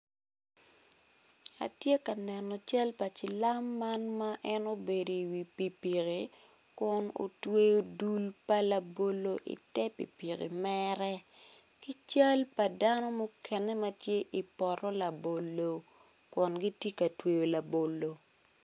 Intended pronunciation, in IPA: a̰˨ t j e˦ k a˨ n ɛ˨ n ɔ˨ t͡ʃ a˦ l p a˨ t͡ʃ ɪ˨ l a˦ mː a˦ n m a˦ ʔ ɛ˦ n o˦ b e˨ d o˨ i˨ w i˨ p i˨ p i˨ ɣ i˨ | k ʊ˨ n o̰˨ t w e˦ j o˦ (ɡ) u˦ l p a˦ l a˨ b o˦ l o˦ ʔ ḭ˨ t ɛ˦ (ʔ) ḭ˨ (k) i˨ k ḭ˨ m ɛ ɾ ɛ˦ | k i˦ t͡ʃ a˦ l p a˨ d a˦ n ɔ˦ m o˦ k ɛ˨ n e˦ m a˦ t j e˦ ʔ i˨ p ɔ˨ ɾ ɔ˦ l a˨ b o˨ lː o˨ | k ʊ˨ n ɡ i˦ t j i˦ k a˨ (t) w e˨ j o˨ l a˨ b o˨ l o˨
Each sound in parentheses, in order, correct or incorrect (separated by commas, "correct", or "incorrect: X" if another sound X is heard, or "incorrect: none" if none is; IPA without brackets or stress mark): incorrect: d, incorrect: p, incorrect: p, correct